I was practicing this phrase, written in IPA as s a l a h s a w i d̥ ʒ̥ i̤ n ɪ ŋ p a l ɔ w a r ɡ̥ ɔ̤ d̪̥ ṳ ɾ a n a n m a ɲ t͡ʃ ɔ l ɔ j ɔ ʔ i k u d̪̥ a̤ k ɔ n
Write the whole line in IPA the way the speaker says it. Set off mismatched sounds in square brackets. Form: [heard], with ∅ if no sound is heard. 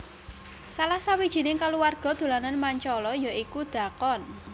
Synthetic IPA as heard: s a l a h s a w i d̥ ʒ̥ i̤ n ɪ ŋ [k] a l [u] w a r ɡ̥ ɔ̤ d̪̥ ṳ [l] a n a n m a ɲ t͡ʃ ɔ l ɔ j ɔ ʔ i k u d̪̥ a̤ k ɔ n